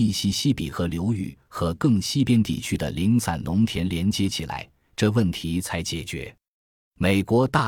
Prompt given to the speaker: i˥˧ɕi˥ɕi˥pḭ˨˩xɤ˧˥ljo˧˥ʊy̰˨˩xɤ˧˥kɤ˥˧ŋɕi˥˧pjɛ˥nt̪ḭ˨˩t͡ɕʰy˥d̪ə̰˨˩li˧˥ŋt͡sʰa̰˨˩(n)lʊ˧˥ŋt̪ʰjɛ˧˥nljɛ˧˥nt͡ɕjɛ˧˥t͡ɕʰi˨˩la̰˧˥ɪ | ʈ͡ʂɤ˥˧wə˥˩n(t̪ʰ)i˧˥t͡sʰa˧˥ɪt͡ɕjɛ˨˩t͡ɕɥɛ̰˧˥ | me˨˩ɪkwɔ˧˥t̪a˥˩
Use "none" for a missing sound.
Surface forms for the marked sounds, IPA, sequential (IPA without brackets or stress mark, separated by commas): n, t̪ʰ